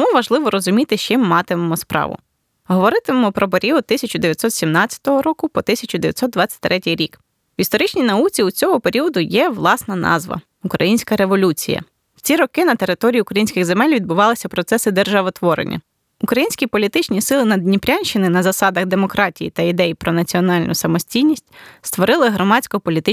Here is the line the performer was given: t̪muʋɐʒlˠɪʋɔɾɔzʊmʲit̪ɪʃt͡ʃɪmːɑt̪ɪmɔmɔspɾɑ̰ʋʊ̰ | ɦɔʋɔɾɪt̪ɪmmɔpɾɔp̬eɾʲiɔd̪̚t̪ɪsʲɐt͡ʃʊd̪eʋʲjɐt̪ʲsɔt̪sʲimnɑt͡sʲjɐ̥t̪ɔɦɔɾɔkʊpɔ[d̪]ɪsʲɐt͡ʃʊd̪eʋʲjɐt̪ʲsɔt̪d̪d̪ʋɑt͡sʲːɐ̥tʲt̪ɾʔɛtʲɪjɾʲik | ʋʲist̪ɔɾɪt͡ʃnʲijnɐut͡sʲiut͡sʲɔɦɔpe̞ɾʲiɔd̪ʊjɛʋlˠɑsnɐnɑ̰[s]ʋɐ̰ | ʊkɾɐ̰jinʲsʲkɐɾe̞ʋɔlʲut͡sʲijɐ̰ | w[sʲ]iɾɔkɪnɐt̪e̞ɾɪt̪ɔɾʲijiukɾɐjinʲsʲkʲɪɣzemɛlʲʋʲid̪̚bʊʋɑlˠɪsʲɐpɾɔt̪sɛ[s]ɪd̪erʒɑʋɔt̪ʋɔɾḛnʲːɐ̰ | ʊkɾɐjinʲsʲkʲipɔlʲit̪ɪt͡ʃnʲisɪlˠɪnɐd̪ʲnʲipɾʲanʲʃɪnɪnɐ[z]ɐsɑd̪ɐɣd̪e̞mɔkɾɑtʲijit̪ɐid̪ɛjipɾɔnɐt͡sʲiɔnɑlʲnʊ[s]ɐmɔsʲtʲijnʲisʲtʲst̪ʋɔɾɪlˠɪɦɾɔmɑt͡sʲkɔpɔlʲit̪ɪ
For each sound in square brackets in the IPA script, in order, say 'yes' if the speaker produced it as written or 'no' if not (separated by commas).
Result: no, no, no, yes, yes, yes